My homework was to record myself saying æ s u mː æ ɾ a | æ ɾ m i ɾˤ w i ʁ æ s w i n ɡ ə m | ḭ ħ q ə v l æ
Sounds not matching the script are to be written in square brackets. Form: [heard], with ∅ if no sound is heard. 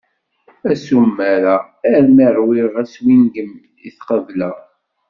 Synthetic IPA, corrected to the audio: æ s u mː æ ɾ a | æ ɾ m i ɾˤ w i ʁ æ s w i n ɡ ə m | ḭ [θ] q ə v l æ